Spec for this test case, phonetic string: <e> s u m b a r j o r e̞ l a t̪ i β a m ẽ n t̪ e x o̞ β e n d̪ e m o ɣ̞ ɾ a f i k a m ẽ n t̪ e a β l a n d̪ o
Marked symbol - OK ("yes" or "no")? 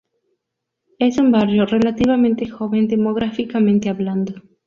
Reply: yes